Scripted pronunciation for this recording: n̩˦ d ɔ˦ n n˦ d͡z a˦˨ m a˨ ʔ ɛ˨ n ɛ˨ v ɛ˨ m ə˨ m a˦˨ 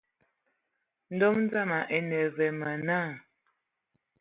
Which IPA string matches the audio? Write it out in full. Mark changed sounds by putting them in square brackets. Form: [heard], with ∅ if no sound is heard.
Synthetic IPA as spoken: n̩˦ d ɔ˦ [m] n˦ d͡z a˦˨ m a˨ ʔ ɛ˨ n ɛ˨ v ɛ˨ m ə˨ [n] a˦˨